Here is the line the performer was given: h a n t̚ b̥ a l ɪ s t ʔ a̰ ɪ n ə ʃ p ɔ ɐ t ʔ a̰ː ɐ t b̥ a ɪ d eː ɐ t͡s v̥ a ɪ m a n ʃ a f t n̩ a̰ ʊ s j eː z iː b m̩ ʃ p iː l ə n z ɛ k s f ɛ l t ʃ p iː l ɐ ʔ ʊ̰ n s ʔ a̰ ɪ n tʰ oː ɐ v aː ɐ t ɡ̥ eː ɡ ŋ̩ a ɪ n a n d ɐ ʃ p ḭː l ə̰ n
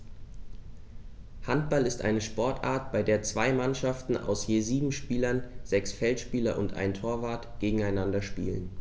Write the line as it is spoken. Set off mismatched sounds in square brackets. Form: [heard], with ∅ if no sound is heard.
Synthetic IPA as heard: h a n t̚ b̥ a l ɪ s t ʔ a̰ ɪ n ə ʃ p ɔ ɐ t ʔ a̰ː ɐ t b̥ a ɪ d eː ɐ t͡s v̥ a ɪ m a n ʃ a f t n̩ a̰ ʊ s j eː z iː b m̩ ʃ p iː l [ɐ] n z ɛ k s f ɛ l t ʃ p iː l ɐ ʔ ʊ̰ n [t] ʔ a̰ ɪ n tʰ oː ɐ v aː ɐ t ɡ̥ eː ɡ ŋ̩ a ɪ n a n d ɐ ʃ p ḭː l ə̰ n